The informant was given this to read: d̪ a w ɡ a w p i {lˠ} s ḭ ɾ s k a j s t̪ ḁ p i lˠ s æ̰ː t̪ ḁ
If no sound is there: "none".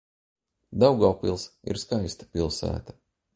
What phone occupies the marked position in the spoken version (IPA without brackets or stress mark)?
lˠ